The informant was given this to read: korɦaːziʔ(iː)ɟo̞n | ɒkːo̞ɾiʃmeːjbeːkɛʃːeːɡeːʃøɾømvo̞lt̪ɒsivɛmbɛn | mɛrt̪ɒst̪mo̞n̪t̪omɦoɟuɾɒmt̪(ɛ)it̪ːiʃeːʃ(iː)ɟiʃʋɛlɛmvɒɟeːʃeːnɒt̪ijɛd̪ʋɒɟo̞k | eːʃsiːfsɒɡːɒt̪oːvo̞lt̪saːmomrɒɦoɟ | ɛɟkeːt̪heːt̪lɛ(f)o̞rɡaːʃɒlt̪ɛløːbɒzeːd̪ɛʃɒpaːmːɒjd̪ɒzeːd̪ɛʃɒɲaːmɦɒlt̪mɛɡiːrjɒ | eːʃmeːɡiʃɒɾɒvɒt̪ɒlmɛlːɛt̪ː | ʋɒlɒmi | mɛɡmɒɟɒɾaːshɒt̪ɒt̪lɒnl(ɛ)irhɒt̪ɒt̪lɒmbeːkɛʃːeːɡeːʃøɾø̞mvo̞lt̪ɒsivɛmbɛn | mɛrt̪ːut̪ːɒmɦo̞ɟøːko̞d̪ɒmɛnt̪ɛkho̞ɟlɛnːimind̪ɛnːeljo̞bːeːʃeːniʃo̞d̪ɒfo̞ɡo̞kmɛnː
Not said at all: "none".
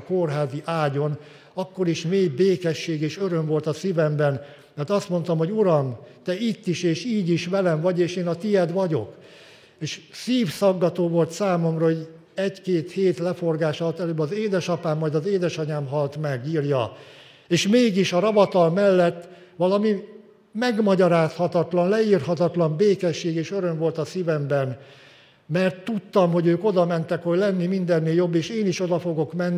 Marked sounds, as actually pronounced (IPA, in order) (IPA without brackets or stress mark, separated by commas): aː, ɛ, iː, f, ɛ